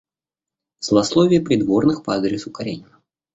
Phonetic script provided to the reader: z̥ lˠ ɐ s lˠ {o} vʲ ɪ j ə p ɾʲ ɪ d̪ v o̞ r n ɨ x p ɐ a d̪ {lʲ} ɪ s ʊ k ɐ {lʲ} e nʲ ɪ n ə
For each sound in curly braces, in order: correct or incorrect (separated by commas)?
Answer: correct, incorrect, incorrect